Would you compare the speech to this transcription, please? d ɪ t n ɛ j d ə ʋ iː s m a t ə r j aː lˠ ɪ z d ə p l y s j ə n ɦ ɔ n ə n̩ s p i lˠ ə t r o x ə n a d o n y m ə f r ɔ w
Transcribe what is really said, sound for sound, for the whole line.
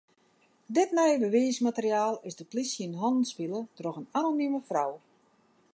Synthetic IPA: d ɪ t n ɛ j b ə ʋ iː s m a t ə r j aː lˠ ɪ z d ə p l i s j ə n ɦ ɔ n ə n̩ s p i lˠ ə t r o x ə n a n o n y m ə f r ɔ w